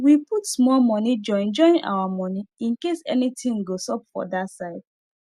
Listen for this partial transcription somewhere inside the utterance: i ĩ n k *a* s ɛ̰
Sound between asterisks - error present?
yes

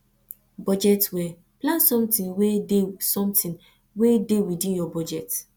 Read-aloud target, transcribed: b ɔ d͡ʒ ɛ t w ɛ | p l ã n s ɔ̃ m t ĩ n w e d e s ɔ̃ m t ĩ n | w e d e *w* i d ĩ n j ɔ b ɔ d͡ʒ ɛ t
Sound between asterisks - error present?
no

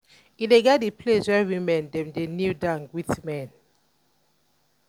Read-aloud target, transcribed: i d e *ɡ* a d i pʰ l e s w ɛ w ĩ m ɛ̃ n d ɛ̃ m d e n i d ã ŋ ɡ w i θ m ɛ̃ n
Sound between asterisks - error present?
no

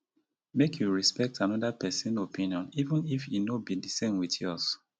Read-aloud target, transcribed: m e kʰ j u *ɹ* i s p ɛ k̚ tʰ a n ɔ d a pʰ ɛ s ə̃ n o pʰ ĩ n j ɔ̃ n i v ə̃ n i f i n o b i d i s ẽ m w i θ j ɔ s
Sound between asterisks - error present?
no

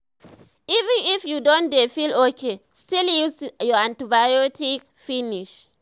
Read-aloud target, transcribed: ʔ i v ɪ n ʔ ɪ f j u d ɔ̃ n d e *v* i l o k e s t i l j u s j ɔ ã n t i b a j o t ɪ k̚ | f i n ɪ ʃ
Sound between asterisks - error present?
yes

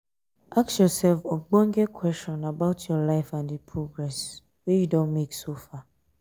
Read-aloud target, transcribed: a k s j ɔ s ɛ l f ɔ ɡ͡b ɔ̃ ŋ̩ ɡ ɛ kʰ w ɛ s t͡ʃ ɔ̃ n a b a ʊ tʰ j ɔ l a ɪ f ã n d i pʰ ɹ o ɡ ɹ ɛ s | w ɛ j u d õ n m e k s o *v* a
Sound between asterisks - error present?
yes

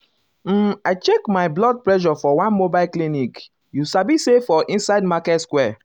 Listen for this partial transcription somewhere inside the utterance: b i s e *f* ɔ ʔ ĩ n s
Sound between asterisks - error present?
no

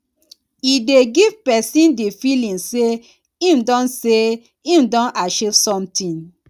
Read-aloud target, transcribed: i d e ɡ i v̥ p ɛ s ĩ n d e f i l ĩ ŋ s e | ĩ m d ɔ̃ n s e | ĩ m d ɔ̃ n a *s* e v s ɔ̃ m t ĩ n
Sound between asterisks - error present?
yes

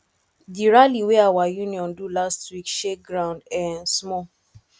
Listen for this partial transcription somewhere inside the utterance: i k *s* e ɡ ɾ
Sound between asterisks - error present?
yes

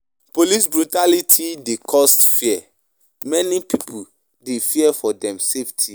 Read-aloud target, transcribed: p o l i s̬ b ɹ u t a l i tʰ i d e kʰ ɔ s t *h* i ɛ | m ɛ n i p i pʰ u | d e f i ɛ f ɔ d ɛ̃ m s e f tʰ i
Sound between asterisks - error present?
yes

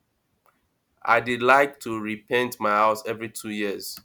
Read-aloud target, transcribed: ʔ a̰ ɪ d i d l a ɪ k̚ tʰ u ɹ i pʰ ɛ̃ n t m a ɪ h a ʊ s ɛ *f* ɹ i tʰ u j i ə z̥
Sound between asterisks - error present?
yes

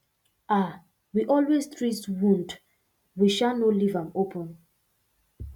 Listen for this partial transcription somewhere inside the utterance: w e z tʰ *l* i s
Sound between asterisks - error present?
yes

